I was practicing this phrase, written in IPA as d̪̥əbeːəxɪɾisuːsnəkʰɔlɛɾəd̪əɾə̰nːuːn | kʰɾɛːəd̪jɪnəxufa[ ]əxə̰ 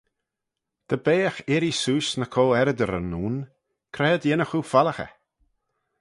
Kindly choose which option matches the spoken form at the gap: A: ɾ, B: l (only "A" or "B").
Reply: B